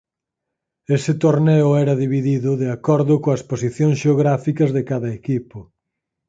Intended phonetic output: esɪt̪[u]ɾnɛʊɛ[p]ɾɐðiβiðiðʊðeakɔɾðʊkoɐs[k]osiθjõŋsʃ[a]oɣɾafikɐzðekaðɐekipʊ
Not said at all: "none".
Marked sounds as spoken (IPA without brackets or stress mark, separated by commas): o, none, p, e